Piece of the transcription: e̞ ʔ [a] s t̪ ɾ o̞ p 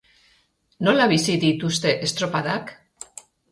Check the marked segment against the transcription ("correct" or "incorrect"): incorrect